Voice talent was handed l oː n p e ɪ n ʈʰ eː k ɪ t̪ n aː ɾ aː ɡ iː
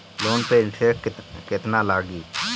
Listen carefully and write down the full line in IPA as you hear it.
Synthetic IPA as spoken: l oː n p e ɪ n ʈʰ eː k ɪ t̪ n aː l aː ɡ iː